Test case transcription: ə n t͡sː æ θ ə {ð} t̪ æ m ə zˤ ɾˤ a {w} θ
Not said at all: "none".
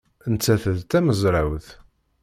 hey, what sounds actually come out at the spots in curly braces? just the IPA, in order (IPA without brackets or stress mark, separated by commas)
ð, w